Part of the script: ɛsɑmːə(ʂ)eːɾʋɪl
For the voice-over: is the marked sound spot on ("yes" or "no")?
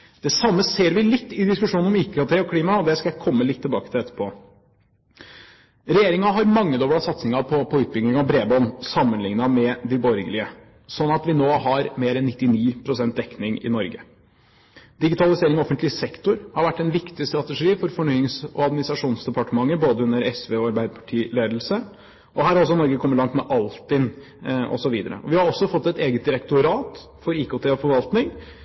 no